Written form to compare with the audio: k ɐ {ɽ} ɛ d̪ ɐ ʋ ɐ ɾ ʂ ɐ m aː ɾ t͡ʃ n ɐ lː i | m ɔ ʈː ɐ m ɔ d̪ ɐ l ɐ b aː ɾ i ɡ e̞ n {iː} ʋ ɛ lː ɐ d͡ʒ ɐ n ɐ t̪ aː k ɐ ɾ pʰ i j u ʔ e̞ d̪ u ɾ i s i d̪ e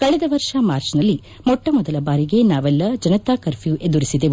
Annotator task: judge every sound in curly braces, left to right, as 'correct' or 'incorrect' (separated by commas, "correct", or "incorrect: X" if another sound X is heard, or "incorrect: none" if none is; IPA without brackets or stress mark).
incorrect: ɭ, incorrect: aː